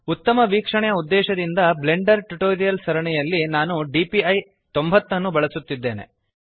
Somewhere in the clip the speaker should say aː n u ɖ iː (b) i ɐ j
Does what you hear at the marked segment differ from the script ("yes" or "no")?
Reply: yes